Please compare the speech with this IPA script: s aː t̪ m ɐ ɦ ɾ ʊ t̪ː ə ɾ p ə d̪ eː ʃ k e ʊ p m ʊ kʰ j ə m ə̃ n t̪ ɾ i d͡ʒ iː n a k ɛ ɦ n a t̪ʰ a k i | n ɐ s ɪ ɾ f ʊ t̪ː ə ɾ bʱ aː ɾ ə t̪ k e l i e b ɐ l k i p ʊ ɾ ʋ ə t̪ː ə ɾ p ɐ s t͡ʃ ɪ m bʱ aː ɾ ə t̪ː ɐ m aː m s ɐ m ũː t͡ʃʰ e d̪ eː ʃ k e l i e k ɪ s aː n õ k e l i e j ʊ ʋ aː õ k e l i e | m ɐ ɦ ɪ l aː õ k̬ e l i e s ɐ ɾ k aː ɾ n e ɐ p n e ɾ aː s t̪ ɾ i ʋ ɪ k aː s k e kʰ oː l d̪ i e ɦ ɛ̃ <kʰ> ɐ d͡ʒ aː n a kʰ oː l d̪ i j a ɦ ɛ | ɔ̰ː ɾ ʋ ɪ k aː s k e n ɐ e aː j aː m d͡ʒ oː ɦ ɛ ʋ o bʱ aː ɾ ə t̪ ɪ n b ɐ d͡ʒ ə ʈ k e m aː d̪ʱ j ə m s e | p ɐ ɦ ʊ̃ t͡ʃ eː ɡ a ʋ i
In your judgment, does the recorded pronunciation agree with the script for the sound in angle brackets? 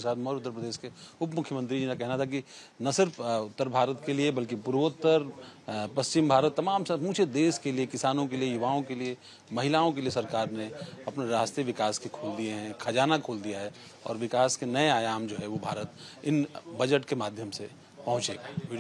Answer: yes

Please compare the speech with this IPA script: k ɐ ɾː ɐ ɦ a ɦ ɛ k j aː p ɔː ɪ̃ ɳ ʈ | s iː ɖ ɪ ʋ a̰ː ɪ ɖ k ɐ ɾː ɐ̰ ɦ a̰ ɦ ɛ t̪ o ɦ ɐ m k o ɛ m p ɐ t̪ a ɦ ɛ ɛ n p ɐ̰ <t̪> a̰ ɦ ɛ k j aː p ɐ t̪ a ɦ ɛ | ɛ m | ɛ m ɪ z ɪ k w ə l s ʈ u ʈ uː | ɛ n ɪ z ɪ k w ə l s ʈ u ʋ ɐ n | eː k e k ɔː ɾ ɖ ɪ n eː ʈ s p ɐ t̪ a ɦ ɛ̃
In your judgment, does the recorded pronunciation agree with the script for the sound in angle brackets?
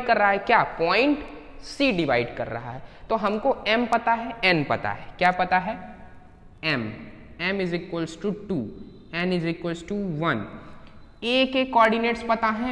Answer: yes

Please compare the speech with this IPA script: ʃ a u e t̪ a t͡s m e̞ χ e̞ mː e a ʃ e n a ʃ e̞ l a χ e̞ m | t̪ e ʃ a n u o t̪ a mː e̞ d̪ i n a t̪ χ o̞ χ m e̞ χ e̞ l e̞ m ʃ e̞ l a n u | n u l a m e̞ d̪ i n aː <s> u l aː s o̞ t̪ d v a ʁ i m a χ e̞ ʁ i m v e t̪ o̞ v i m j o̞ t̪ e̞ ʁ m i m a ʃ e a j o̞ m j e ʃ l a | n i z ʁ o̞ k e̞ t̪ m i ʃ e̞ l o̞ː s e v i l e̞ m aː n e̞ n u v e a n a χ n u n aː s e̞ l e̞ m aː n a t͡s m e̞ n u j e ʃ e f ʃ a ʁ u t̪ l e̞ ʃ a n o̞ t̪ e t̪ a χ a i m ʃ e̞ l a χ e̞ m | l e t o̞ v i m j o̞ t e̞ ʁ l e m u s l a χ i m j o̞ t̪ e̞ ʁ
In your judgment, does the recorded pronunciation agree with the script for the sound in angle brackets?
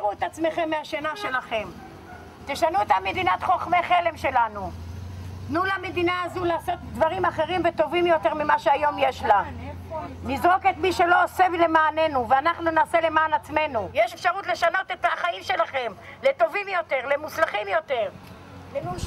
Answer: no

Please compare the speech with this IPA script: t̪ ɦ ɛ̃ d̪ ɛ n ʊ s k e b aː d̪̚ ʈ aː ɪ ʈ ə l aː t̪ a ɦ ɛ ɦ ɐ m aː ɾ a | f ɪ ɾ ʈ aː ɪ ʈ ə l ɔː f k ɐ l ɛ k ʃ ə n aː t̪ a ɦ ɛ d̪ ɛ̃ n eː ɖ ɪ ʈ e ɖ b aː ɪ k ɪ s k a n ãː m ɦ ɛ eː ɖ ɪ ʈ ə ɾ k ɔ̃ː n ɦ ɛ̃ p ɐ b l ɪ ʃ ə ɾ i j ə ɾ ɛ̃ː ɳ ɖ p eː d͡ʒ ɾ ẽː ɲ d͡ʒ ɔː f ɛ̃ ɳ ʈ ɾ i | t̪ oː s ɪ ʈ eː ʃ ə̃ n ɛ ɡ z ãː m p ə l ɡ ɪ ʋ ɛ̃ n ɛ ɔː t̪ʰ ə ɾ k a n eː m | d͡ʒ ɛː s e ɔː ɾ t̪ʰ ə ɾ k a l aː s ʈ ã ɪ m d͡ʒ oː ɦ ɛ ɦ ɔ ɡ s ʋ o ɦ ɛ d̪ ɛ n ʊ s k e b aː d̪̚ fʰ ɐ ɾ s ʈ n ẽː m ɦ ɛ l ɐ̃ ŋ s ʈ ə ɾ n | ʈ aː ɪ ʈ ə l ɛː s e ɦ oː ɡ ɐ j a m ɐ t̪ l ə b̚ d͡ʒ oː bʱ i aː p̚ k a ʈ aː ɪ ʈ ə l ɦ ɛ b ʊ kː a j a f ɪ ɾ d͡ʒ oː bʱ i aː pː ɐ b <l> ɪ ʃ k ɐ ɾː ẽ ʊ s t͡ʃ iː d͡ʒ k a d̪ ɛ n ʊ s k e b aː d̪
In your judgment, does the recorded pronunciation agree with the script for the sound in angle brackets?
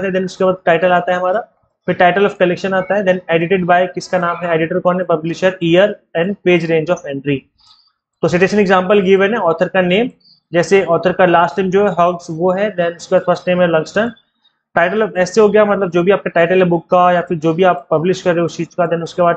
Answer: yes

